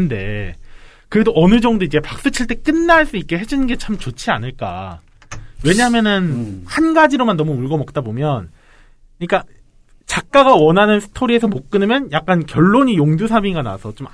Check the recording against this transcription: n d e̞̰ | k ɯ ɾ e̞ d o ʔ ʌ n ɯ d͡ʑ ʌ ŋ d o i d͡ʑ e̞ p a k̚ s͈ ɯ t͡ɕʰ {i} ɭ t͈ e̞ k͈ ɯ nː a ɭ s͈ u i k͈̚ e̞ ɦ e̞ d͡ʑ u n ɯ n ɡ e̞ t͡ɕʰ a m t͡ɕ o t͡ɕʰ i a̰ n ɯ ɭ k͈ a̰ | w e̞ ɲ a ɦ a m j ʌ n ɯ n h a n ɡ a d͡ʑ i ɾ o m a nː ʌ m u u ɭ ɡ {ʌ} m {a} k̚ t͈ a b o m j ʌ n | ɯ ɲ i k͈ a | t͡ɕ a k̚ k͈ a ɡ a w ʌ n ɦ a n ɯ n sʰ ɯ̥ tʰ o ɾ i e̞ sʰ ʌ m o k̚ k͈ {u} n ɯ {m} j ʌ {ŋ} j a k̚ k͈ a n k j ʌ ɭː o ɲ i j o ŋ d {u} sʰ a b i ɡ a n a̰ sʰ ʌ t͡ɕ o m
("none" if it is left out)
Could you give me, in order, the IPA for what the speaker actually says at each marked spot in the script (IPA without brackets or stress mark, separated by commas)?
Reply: i, ʌ, ʌ, ɯ, m, n, u